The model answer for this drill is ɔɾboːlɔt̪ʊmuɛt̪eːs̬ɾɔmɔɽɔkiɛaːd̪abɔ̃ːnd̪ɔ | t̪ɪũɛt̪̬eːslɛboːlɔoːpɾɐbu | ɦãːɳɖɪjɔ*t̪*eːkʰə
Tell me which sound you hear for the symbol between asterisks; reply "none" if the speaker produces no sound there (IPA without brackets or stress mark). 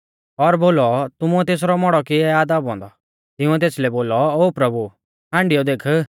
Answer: d̪